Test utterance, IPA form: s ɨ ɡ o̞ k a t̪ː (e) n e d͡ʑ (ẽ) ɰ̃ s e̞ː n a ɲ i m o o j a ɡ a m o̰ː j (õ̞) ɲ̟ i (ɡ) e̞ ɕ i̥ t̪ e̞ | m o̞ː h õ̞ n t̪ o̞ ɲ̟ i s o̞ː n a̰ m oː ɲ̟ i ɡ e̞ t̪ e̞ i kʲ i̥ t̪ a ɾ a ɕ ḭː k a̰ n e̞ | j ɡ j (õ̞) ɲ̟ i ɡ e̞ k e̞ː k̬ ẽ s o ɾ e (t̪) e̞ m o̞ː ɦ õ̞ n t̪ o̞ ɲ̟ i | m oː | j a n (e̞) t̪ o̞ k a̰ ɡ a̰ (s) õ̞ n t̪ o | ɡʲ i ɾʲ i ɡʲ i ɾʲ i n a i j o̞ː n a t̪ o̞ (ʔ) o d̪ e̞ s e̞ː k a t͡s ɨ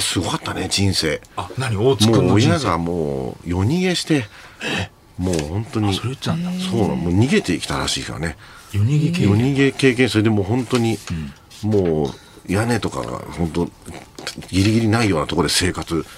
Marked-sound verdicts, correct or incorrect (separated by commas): incorrect, incorrect, incorrect, correct, incorrect, incorrect, correct, incorrect, incorrect